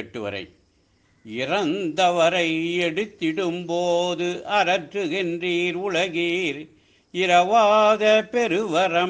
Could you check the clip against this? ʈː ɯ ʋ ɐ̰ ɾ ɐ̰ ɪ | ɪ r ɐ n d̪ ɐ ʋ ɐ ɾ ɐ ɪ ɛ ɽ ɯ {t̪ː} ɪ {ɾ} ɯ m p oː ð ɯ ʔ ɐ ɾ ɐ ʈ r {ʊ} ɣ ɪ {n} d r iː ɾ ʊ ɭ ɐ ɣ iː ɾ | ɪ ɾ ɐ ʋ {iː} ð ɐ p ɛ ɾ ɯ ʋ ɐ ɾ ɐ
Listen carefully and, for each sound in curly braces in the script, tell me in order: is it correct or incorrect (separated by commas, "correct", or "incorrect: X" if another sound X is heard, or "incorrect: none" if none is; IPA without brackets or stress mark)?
correct, incorrect: ɽ, incorrect: ɯ, correct, incorrect: aː